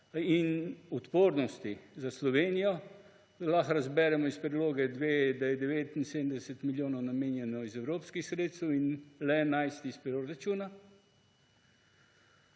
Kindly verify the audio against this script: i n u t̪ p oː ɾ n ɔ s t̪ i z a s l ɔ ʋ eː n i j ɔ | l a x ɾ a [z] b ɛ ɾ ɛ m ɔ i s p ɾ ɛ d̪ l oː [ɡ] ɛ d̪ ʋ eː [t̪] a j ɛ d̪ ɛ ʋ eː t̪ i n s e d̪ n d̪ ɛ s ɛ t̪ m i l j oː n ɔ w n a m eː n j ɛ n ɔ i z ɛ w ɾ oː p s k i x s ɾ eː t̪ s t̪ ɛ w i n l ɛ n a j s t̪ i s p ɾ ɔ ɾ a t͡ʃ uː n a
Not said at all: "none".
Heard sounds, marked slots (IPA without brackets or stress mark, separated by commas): z, ɡ, d̪